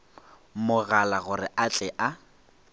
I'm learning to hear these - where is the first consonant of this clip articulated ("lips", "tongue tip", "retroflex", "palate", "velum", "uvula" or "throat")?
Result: lips